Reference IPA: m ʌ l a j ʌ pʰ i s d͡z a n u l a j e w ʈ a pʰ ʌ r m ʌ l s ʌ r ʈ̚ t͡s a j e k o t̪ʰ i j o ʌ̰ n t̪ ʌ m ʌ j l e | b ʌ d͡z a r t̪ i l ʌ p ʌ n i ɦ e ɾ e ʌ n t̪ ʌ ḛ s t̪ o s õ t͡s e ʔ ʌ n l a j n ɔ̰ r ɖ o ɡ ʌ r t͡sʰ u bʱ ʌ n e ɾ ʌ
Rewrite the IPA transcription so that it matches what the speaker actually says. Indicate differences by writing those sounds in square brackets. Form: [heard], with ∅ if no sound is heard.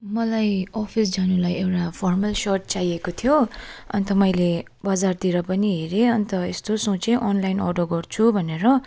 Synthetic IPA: m ʌ l a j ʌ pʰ i s d͡z a n u l a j e w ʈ a pʰ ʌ r m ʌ l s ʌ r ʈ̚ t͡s a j e k o t̪ʰ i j o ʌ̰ n t̪ ʌ m ʌ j l e | b ʌ d͡z a r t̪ i [ɾ] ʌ p ʌ n i ɦ e ɾ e ʌ n t̪ ʌ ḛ s t̪ o s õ t͡s e ʔ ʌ n l a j n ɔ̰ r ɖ o ɡ ʌ r t͡sʰ u bʱ ʌ n e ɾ ʌ